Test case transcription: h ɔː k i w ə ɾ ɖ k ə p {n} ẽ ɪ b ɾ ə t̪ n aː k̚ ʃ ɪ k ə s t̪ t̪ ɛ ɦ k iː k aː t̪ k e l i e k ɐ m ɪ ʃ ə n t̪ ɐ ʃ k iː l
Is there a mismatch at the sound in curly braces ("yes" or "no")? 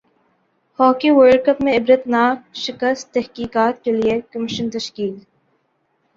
yes